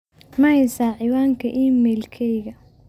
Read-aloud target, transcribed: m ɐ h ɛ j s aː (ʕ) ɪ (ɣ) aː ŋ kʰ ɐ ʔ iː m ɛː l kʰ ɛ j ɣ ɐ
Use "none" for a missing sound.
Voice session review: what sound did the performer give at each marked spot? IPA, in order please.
ʕ, w

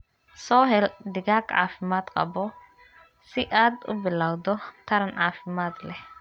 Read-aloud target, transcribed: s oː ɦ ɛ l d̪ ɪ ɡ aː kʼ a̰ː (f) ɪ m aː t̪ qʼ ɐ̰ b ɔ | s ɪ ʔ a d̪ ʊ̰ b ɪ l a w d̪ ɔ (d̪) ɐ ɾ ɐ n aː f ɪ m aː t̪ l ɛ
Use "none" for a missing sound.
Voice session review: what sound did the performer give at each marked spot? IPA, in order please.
f, t̪

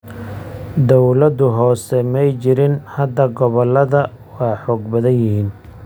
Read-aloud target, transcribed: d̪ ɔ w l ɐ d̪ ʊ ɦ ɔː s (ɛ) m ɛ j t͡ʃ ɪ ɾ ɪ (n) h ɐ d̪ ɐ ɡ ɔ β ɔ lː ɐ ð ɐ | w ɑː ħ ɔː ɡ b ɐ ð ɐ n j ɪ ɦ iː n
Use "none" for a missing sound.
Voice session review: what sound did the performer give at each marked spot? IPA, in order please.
ɛ, n

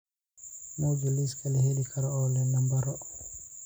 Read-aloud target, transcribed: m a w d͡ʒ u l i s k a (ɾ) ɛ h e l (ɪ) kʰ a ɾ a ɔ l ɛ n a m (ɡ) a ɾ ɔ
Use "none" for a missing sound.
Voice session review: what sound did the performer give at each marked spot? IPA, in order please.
l, i, b

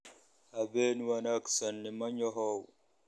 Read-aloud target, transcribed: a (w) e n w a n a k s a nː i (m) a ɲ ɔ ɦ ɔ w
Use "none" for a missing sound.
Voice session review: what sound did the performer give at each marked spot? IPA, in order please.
b, m

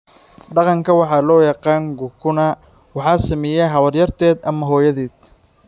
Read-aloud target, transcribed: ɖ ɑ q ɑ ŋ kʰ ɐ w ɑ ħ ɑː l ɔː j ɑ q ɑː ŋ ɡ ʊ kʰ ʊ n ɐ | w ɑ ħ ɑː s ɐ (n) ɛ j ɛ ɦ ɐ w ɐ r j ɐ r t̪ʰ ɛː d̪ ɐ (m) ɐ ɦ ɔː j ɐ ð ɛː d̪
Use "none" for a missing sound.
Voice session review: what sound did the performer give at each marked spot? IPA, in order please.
m, m

